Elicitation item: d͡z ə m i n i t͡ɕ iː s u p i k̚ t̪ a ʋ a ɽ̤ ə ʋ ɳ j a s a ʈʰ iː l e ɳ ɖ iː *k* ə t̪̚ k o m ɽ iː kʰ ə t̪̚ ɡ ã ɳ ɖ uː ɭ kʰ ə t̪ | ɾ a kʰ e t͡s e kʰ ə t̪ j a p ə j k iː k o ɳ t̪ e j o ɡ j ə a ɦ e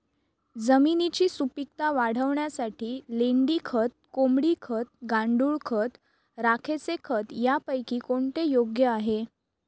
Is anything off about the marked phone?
yes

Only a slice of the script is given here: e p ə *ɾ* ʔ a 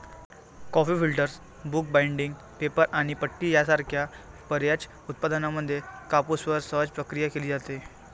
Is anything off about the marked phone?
no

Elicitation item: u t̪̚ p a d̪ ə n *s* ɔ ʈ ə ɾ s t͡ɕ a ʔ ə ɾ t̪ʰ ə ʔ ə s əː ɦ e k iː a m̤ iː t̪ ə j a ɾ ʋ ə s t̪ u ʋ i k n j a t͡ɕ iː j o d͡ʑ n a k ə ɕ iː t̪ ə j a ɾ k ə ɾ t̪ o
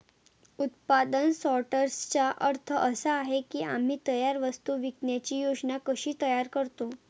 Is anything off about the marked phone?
no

